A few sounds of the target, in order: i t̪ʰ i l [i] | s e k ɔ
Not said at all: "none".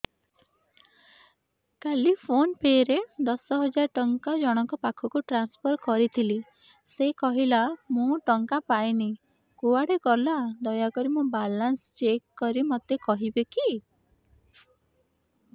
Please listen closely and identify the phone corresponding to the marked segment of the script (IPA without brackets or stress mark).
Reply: i